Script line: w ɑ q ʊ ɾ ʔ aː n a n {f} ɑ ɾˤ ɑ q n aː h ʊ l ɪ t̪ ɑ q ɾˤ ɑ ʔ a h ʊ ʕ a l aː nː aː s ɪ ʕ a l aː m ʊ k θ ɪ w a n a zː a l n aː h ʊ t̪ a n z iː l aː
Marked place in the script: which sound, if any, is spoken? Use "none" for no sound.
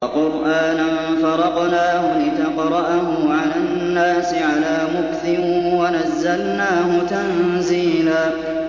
f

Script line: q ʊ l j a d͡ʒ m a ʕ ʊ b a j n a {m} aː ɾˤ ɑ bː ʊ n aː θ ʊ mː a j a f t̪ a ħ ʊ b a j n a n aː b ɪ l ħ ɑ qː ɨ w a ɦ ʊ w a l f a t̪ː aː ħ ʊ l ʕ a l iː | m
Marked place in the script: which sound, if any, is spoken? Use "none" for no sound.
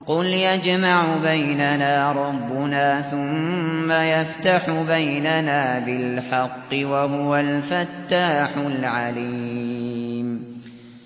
n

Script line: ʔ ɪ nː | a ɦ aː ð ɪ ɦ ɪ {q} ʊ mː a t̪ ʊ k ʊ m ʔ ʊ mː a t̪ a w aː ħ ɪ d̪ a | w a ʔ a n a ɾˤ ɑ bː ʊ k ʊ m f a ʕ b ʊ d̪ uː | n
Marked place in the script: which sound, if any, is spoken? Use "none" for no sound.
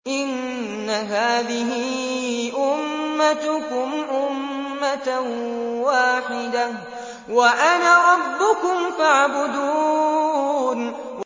ʔ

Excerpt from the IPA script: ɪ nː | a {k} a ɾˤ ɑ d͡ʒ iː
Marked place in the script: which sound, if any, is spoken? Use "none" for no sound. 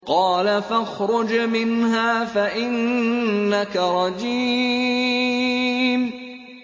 k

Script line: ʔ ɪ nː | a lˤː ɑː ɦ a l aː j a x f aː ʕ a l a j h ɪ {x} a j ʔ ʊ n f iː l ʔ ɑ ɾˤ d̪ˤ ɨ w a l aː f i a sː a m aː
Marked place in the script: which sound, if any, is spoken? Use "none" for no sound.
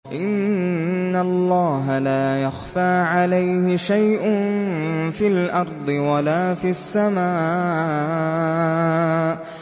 ʃ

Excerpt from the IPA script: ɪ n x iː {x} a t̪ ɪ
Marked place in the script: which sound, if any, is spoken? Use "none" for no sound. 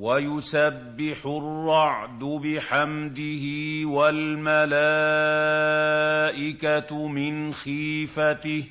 f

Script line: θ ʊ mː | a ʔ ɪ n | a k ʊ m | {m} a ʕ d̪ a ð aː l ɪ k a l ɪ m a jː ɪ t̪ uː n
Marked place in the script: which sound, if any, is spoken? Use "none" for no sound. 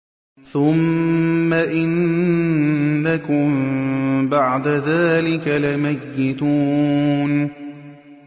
b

